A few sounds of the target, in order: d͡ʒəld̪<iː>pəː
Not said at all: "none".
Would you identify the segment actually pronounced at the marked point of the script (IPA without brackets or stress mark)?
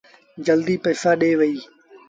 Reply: iː